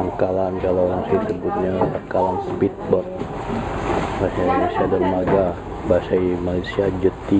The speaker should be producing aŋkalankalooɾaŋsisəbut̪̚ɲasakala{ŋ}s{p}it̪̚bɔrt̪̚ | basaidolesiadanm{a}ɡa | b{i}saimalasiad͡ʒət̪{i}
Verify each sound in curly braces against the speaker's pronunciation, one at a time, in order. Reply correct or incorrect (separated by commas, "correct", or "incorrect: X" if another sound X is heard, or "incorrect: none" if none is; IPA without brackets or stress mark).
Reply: incorrect: n, correct, correct, incorrect: a, correct